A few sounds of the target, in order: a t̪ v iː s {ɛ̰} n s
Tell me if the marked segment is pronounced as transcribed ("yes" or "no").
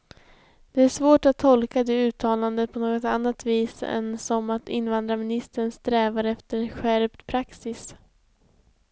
yes